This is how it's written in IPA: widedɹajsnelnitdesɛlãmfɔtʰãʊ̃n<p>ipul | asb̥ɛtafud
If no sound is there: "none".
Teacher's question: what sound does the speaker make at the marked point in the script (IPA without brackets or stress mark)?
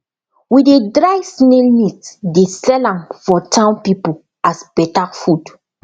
p